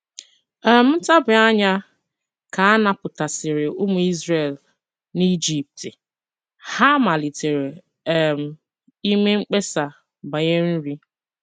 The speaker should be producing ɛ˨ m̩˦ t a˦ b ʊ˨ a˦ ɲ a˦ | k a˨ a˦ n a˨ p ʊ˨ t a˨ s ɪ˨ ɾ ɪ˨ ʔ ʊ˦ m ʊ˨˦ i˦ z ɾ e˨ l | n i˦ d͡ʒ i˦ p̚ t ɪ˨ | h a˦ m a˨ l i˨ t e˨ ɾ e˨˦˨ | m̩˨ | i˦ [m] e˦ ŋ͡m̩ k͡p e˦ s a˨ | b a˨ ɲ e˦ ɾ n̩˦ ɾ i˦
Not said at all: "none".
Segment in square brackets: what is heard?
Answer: m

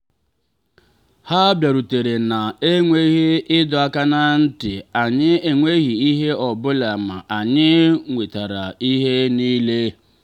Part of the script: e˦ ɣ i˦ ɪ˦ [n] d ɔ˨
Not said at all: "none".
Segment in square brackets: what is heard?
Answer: none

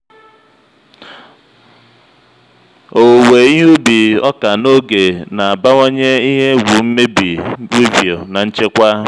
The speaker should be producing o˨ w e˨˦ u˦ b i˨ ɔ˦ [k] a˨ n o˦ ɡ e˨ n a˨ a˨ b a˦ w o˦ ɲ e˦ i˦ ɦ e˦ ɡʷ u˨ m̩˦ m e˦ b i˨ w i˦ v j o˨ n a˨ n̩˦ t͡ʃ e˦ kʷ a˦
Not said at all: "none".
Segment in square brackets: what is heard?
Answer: k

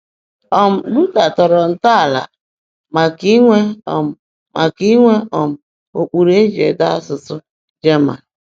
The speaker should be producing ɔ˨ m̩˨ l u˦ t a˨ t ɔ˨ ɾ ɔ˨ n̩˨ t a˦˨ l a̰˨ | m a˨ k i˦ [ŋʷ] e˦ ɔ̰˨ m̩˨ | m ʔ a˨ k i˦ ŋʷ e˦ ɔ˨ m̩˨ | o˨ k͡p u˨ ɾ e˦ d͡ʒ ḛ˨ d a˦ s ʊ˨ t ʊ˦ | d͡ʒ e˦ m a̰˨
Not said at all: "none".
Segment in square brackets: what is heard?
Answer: ŋʷ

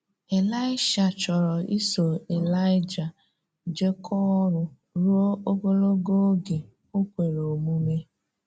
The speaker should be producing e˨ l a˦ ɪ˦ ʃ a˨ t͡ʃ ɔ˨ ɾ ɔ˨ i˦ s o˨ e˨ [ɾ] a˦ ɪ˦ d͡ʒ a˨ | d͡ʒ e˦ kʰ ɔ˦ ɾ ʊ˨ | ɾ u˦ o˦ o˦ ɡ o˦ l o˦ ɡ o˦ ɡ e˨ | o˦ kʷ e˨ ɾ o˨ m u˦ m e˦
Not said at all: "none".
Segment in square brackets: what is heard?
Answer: l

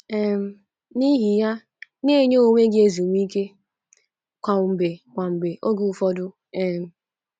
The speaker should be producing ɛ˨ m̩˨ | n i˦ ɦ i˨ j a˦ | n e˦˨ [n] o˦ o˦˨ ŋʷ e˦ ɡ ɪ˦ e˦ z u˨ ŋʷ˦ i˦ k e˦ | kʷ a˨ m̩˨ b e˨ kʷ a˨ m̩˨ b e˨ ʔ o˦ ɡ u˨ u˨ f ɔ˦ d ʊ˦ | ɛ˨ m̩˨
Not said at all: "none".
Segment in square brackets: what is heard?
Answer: ɲ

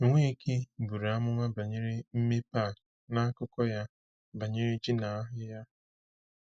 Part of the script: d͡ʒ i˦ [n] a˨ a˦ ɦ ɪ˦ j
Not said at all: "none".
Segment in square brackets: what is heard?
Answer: n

